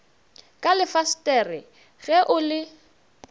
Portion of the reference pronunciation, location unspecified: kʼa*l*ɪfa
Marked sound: correct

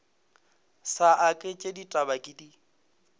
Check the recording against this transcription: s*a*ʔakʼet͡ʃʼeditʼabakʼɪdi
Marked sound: correct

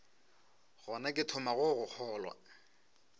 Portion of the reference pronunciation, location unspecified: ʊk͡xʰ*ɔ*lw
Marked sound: incorrect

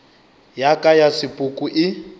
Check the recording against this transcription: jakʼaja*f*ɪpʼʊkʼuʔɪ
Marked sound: incorrect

